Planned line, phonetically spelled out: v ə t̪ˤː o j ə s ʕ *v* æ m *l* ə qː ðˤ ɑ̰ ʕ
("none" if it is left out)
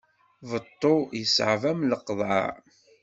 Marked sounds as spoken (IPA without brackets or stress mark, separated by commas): v, l